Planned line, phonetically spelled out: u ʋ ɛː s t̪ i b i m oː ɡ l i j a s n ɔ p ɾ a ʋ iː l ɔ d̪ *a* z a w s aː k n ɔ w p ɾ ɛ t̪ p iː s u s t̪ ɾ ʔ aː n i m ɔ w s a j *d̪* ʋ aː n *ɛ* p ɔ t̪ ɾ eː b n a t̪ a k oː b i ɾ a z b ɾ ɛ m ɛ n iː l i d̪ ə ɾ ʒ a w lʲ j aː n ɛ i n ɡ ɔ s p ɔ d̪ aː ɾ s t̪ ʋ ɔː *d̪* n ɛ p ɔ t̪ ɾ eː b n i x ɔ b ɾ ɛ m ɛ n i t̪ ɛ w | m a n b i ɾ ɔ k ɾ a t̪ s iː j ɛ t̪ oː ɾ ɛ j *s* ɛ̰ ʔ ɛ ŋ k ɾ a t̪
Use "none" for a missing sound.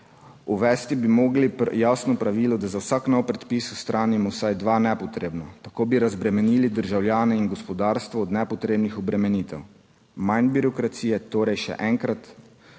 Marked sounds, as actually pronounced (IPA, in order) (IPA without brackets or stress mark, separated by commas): a, d̪, ɛ, d̪, ʃ